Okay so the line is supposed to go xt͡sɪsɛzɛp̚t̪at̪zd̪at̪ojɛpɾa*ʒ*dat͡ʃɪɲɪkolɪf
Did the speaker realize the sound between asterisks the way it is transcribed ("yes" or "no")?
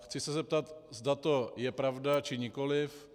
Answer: no